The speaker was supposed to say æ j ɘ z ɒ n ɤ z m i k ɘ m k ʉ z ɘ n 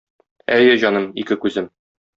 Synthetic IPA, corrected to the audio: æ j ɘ ʑ ɒ n ɤ m i k ɘ k ʉ z ɘ m